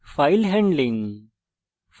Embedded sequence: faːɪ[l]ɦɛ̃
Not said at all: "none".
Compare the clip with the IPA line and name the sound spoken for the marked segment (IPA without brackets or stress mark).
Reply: l